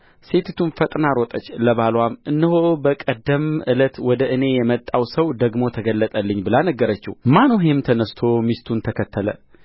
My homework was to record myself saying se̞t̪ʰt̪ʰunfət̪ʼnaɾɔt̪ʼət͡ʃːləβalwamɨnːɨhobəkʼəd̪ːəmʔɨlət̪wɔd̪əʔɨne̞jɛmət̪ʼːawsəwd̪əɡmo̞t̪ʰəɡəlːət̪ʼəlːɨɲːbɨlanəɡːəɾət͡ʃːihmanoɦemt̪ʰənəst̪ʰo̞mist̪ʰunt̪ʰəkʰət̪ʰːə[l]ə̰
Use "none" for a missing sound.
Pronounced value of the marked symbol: l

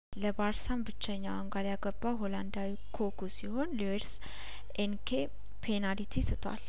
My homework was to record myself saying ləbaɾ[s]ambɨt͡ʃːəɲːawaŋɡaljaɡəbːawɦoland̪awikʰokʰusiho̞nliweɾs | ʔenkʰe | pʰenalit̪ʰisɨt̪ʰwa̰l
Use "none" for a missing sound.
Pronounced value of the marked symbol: s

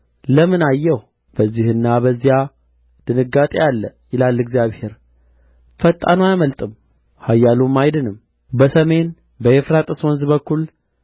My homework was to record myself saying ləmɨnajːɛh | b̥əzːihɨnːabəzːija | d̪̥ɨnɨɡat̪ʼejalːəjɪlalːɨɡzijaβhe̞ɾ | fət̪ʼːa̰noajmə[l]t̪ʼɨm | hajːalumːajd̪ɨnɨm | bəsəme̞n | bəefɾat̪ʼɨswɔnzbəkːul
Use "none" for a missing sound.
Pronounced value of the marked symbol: l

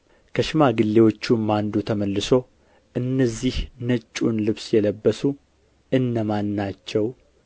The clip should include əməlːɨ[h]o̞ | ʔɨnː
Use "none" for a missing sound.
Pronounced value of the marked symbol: s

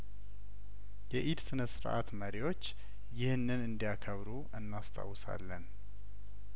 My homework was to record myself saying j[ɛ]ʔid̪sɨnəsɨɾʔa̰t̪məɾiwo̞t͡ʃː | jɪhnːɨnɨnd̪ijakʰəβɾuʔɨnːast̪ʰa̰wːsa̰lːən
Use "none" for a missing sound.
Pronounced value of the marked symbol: ɛ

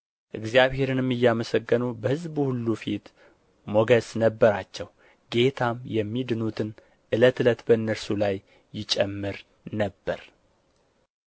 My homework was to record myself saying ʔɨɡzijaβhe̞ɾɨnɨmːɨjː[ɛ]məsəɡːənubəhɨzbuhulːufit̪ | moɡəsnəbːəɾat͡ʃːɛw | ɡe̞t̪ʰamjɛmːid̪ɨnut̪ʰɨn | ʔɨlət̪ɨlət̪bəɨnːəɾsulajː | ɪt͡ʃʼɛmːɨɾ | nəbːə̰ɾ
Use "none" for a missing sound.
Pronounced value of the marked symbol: a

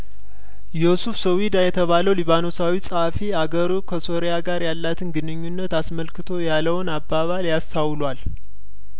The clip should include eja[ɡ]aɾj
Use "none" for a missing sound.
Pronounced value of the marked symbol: ɡ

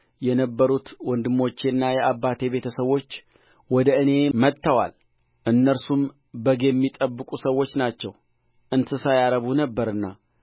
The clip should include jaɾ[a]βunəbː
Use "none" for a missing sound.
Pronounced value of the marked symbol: ə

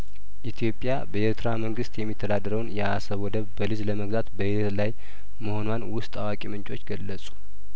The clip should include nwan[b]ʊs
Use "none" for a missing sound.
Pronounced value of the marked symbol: w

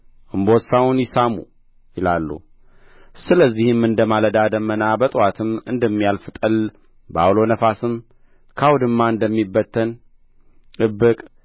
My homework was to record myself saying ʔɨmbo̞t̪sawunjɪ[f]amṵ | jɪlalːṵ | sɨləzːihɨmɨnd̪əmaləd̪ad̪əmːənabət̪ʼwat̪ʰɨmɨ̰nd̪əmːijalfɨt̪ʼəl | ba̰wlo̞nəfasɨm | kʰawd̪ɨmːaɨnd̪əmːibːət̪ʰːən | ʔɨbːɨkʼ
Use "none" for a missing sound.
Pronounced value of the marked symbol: s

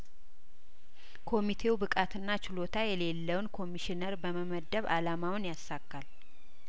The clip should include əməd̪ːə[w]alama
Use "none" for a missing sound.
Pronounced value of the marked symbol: β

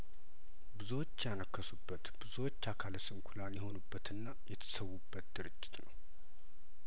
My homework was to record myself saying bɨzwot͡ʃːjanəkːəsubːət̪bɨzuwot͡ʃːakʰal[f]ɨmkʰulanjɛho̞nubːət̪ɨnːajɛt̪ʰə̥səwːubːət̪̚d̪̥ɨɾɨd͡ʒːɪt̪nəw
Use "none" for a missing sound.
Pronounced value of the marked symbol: s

